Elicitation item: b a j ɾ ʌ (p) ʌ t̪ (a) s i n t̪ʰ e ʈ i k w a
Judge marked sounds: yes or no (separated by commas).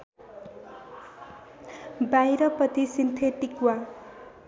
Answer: yes, no